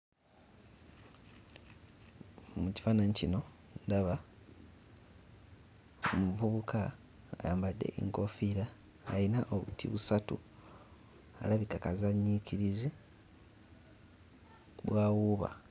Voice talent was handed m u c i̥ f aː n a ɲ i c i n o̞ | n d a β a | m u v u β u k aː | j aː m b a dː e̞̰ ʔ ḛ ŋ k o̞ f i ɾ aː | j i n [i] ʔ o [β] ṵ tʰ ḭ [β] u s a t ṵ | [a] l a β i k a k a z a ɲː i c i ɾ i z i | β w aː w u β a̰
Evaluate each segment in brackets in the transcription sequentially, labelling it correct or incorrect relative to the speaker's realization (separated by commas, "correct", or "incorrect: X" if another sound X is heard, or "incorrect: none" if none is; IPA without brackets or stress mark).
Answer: incorrect: a, correct, correct, correct